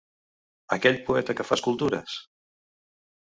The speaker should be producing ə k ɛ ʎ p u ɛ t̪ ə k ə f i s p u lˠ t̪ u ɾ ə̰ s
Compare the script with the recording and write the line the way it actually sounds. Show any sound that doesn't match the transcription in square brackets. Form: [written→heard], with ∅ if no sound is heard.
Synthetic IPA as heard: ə k ɛ ʎ p u ɛ t̪ ə k ə f [i→a] s [p→k] u lˠ t̪ u ɾ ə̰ s